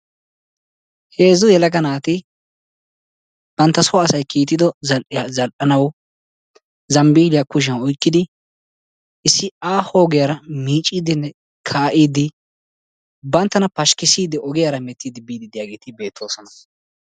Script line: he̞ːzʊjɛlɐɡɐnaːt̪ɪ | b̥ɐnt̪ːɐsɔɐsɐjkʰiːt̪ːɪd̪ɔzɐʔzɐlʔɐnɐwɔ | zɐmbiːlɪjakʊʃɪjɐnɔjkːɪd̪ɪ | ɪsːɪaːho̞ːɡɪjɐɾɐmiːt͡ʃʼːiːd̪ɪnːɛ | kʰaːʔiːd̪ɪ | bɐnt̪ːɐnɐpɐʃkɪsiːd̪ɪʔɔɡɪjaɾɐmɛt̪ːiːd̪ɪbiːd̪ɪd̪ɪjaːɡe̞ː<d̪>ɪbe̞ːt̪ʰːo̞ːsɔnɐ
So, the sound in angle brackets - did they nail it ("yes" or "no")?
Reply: no